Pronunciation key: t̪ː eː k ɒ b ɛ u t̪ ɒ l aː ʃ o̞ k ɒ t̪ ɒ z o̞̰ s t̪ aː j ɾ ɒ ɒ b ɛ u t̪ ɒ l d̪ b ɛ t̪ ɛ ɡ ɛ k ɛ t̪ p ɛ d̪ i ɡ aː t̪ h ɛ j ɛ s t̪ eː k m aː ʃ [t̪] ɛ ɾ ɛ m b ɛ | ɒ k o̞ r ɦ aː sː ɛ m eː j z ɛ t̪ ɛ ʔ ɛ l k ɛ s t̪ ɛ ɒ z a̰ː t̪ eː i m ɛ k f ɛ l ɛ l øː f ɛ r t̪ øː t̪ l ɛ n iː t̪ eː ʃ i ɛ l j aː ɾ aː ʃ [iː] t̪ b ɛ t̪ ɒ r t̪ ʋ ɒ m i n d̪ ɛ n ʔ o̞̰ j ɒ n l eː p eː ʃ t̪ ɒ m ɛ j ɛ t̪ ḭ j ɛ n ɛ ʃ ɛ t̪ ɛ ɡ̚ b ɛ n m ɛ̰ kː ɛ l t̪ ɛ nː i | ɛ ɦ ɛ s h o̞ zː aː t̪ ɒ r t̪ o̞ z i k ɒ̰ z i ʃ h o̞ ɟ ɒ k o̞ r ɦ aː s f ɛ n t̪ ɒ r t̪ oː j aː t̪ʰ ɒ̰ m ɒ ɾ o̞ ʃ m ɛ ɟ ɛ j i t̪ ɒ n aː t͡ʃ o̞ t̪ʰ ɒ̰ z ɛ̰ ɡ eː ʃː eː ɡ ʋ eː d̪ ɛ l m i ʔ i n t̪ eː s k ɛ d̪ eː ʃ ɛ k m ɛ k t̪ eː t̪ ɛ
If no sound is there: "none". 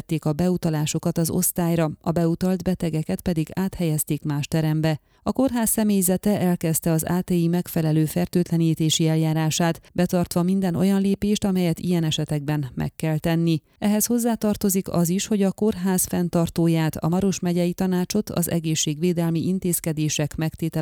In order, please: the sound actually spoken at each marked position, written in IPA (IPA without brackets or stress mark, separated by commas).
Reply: t̪, aː